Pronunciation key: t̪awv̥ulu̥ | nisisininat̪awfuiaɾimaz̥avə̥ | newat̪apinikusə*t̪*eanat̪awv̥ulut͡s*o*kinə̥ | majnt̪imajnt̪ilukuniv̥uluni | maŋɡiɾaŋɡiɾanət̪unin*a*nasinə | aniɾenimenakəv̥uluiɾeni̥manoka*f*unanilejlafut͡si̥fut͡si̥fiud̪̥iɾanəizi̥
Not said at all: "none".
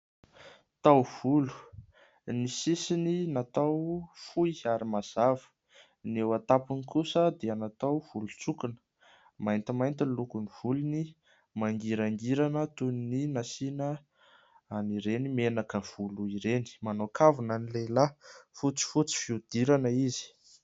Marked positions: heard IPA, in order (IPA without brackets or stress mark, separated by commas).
d̪, u, i, v